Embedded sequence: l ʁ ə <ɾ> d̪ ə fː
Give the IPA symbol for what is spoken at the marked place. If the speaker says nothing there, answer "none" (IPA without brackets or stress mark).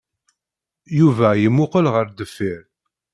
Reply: ɾ